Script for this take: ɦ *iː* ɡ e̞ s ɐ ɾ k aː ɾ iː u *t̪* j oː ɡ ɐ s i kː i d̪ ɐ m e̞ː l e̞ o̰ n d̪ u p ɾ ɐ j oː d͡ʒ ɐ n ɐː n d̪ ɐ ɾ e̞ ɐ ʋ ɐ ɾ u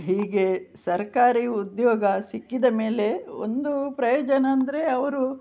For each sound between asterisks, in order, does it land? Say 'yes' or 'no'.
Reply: yes, no

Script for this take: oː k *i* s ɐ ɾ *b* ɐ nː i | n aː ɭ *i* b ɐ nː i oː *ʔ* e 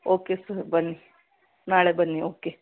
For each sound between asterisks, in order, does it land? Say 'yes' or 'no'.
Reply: no, yes, no, no

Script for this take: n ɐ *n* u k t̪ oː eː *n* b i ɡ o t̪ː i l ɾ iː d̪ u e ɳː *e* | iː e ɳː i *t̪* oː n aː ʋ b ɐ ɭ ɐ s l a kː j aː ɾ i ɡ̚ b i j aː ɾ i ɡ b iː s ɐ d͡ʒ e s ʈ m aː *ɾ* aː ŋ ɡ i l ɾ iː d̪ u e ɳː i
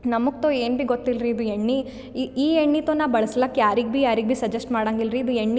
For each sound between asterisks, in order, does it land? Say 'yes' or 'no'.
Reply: no, yes, no, yes, no

